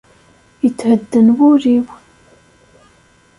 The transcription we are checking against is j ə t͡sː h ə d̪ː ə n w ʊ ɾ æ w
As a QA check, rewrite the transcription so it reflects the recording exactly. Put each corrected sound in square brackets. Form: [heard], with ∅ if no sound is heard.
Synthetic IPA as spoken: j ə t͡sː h ə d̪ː ə n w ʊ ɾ [i] w